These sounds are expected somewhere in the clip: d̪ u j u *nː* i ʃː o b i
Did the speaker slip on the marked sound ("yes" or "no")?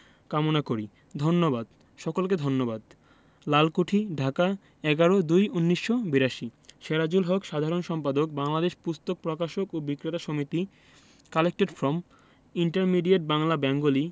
no